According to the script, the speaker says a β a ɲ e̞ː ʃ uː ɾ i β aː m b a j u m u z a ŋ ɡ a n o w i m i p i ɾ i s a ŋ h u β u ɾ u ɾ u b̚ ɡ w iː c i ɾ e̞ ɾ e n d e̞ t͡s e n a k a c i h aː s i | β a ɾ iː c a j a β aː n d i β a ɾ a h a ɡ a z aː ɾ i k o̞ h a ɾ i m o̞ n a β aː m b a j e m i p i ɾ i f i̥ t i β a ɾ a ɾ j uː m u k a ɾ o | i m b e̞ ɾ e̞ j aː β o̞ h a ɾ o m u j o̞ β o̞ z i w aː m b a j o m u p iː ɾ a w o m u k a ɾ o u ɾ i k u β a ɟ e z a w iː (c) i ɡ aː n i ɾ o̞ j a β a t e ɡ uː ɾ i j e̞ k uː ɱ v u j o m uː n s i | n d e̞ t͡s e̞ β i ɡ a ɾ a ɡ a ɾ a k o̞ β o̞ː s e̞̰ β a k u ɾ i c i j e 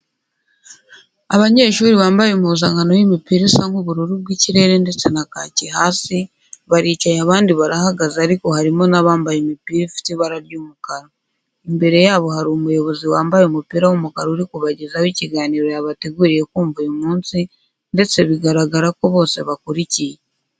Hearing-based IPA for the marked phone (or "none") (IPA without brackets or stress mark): c